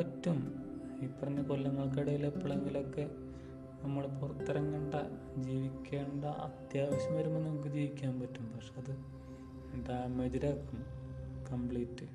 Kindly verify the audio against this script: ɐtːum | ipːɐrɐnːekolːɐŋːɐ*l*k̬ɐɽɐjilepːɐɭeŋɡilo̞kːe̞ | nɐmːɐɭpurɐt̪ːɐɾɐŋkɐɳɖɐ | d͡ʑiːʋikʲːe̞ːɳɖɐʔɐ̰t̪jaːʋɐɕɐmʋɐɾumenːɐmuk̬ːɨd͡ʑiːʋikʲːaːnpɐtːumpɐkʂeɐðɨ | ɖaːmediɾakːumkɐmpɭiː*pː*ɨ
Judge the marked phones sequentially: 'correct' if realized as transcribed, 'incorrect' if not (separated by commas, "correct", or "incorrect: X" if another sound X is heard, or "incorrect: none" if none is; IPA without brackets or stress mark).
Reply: incorrect: ɭ, incorrect: tː